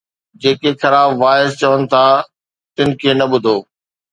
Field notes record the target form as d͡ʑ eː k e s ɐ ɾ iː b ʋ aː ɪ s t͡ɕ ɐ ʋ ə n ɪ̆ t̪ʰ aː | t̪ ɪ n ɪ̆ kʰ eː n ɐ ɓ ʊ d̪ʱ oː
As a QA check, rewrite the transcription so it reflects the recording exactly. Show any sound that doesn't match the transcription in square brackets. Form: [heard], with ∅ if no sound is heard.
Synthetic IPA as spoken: d͡ʑ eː k e [x] ɐ ɾ [aː] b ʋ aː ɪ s t͡ɕ ɐ ʋ ə n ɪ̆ t̪ʰ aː | t̪ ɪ n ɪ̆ kʰ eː n ɐ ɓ ʊ d̪ʱ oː